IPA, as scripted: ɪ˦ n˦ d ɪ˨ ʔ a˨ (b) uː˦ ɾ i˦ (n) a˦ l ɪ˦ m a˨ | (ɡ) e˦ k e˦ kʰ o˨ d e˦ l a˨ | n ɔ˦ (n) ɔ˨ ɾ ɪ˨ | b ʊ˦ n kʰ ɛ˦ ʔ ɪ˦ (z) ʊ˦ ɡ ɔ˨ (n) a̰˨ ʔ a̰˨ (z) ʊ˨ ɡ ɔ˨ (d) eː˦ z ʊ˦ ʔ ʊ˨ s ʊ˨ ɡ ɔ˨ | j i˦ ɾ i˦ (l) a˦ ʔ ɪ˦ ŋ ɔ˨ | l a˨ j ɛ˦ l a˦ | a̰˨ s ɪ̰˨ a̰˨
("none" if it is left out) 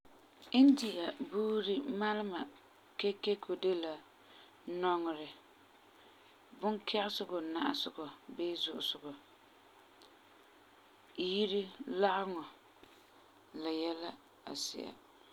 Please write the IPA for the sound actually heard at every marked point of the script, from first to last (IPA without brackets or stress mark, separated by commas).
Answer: b, m, k, ŋ, s, n, s, b, l